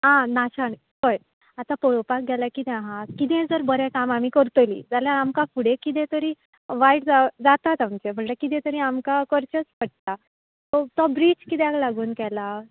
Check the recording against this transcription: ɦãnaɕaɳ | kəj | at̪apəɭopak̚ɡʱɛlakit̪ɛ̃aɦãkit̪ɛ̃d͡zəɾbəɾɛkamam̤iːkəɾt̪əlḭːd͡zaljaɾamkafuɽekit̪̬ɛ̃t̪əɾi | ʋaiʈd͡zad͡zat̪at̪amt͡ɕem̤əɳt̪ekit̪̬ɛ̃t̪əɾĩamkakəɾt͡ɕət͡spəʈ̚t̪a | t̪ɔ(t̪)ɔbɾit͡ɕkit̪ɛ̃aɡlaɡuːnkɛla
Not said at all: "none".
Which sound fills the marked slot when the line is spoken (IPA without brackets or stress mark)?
t̪